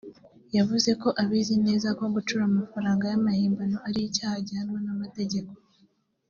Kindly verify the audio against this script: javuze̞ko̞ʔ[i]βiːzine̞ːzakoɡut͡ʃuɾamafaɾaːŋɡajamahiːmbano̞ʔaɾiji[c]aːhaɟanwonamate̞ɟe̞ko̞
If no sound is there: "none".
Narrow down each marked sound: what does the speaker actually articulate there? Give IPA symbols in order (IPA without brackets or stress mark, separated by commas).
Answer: a, c